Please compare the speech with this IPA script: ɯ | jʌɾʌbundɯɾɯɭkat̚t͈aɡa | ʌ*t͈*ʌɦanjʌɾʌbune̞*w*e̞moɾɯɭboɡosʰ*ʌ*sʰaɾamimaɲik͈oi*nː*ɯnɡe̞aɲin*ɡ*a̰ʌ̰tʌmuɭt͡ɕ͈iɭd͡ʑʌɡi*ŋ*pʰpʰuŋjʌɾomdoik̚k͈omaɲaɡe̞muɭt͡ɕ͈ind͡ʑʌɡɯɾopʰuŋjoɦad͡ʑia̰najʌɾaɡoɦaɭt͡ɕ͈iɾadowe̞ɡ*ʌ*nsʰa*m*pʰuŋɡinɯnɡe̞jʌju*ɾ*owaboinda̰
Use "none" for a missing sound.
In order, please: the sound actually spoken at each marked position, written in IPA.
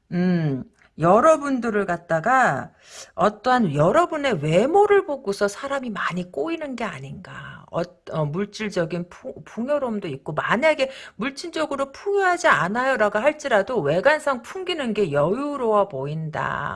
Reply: t͈, w, ʌ, n, ɡ, n, a, ŋ, ɾ

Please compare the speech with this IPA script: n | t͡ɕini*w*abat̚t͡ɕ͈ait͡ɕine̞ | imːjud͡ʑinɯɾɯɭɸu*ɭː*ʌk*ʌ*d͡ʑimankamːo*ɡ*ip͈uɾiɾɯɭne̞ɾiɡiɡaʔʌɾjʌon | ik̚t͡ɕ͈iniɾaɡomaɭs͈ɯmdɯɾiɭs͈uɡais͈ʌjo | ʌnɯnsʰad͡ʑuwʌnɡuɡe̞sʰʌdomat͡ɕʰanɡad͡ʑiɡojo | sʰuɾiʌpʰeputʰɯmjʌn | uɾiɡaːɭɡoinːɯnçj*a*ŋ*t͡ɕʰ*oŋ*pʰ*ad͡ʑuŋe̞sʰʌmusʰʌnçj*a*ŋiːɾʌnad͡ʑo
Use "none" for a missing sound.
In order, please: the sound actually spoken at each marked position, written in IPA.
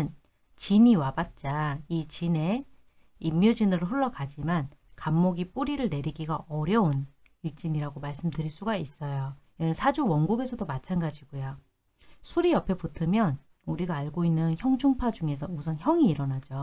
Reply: w, ɭː, a, ɡ, ʌ, t͡ɕʰ, pʰ, ʌ

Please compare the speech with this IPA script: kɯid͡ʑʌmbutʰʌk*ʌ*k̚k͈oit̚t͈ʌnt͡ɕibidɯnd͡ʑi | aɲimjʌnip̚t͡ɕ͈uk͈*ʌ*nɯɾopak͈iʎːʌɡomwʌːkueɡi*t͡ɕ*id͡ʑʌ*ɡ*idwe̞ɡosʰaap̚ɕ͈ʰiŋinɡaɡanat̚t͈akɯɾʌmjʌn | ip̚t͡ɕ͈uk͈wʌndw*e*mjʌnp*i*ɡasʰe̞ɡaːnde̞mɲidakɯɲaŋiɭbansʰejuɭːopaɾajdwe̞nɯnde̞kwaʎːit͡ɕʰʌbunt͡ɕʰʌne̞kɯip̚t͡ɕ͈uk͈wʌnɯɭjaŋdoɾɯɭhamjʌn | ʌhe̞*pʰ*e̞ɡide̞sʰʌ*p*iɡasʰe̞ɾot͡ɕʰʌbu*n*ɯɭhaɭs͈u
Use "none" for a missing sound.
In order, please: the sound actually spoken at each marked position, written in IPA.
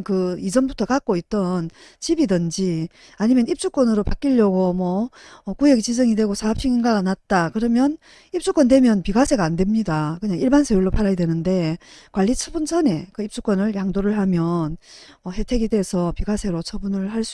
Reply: a, ʌ, t͡ɕ, ŋ, e, i, tʰ, p, n

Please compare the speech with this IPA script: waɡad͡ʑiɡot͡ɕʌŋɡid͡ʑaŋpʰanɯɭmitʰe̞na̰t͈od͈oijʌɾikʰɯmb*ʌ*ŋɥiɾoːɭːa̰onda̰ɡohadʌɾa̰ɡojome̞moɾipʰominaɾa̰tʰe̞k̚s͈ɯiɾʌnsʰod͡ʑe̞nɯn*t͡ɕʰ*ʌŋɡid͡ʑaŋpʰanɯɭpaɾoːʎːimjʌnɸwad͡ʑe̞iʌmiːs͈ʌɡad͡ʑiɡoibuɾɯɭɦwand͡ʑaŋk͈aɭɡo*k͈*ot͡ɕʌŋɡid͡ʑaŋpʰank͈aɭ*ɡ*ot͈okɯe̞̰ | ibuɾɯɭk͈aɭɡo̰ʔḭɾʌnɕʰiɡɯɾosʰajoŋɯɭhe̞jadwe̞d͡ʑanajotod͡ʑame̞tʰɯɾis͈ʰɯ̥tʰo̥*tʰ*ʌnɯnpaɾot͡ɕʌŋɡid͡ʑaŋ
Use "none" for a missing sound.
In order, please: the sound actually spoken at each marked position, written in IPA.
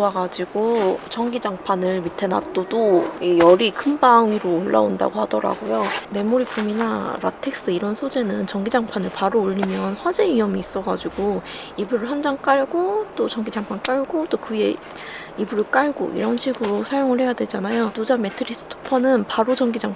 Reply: a, t͡ɕ, t͈, ɡ, pʰ

